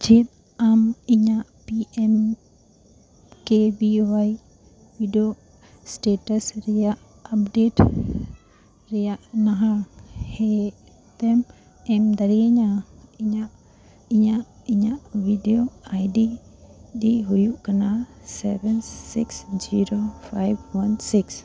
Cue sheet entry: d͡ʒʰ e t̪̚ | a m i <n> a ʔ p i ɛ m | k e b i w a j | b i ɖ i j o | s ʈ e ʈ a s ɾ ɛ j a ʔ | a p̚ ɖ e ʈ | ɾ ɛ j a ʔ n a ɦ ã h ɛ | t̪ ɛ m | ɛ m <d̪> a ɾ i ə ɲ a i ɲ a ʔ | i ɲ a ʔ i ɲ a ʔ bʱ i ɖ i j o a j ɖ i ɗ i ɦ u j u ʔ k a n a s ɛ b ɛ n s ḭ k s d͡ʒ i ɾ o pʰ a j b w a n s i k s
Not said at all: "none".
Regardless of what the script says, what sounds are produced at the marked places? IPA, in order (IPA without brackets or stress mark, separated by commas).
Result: ɲ, d̪